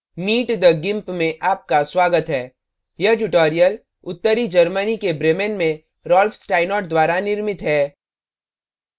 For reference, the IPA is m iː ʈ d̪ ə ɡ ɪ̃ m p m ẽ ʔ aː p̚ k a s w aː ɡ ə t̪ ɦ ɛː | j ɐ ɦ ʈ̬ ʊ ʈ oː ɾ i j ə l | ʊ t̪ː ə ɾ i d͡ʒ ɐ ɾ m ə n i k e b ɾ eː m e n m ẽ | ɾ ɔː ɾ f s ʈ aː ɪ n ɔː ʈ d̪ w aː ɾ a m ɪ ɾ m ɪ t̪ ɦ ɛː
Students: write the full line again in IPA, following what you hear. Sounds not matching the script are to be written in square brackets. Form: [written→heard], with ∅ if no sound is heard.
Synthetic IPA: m iː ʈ d̪ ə ɡ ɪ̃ m p m ẽ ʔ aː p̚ k a s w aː ɡ ə t̪ ɦ ɛː | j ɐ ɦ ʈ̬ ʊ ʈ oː ɾ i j ə l | ʊ t̪ː ə ɾ i d͡ʒ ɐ ɾ m ə n i k e b ɾ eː m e n m ẽ | ɾ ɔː [ɾ→l] f s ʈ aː ɪ n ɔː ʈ d̪ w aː ɾ a [m→n] ɪ ɾ m ɪ t̪ ɦ ɛː